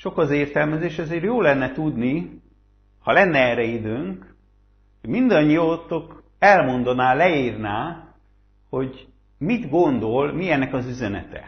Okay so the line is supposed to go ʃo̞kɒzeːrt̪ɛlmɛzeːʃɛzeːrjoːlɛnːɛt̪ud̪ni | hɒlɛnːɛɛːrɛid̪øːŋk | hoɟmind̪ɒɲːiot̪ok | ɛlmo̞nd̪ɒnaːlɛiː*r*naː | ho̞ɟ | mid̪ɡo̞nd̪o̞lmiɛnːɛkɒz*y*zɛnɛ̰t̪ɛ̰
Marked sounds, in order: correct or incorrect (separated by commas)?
correct, correct